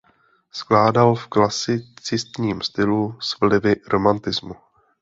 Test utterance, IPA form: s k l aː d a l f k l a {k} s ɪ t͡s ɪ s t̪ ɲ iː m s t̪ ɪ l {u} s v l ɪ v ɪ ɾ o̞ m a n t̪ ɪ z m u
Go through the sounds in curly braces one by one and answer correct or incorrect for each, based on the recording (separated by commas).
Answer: incorrect, correct